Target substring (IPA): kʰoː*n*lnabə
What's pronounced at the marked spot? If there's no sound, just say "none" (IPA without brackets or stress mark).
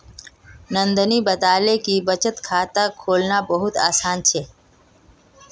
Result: none